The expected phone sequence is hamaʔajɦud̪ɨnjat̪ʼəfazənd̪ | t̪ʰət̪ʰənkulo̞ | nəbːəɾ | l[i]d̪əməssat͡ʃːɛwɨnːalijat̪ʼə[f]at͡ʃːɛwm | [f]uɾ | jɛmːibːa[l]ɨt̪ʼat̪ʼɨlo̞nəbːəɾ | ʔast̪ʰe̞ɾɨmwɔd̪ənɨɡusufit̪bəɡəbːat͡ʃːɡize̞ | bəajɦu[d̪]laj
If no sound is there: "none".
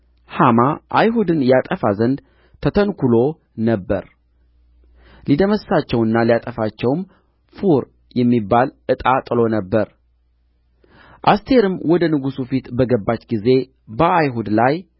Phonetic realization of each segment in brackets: i, f, f, l, d̪

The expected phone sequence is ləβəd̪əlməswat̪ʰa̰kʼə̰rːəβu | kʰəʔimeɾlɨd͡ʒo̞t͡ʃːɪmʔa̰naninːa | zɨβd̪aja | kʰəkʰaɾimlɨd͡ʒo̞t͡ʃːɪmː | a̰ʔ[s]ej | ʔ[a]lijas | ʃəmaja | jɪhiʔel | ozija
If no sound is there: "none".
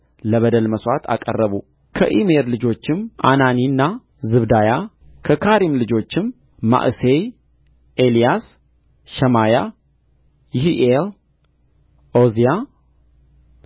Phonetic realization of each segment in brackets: s, e

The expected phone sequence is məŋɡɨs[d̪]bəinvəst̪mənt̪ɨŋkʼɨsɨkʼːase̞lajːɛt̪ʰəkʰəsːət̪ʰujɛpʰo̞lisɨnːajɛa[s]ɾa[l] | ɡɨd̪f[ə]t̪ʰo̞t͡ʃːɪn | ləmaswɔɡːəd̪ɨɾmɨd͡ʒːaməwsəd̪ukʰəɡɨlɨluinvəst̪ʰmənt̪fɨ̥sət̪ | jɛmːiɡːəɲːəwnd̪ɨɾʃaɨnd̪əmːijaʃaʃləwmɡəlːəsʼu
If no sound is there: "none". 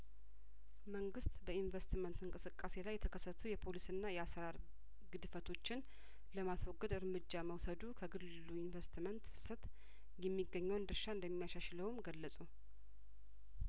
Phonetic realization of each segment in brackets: t̪, s, ɾ, ə

